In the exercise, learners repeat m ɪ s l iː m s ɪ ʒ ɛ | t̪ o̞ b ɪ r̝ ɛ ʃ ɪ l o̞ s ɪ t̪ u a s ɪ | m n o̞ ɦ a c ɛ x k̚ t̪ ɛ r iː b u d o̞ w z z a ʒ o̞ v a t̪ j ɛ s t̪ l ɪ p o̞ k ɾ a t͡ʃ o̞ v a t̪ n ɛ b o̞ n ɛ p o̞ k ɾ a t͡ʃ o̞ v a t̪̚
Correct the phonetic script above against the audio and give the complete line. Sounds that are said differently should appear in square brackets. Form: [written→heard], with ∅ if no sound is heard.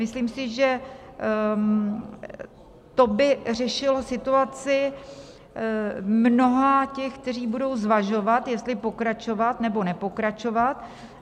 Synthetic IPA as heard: m ɪ s l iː m s ɪ ʒ ɛ | t̪ o̞ b ɪ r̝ ɛ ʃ ɪ l o̞ s ɪ t̪ u a [s→t͡s] ɪ | m n o̞ ɦ a c ɛ x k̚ t̪ ɛ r iː b u d o̞ w z [z→v] a ʒ o̞ v a t̪ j ɛ s t̪ l ɪ p o̞ k ɾ a t͡ʃ o̞ v a t̪ n ɛ b o̞ n ɛ p o̞ k ɾ a t͡ʃ o̞ v a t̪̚